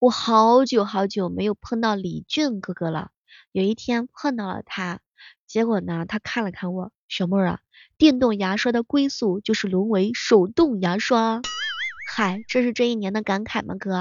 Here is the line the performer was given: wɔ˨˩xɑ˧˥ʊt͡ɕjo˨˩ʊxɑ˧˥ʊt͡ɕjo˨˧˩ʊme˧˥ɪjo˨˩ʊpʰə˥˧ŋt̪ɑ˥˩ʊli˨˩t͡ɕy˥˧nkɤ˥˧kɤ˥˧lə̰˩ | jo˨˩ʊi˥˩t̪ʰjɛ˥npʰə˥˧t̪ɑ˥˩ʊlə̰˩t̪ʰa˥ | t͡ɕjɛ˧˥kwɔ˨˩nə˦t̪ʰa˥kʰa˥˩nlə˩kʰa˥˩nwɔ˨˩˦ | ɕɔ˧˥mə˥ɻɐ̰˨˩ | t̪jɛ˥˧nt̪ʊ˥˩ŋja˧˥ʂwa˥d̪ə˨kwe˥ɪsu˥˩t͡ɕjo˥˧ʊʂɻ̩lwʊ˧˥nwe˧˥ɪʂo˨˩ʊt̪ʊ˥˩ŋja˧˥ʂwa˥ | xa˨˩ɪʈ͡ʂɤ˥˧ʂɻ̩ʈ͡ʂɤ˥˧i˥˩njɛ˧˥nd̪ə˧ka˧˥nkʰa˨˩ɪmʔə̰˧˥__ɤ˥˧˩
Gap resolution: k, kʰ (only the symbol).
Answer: k